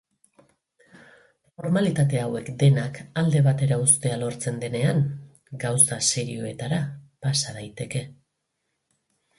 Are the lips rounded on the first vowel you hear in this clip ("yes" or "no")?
yes